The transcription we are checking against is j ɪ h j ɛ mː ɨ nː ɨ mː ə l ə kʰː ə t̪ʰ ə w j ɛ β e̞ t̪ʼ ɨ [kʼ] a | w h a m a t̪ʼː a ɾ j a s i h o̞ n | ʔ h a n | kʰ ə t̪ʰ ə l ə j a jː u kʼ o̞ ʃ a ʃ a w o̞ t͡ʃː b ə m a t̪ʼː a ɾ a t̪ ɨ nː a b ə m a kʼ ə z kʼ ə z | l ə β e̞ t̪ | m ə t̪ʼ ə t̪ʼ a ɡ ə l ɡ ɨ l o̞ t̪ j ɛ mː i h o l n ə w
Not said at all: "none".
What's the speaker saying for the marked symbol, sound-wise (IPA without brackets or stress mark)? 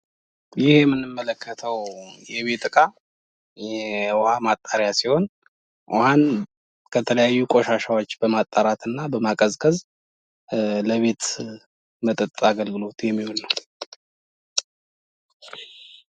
kʼ